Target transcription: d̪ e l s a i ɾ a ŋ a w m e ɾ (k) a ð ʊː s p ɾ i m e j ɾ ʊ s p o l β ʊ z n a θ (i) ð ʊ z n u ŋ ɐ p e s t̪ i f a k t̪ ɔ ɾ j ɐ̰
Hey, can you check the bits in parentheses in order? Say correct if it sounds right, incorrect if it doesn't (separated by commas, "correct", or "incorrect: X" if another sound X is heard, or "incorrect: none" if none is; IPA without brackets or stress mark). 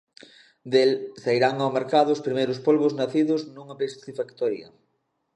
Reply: correct, correct